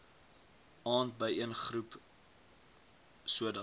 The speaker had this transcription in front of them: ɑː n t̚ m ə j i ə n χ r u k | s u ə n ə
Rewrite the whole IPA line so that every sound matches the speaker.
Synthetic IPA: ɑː n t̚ b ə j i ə n χ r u p | s u ə d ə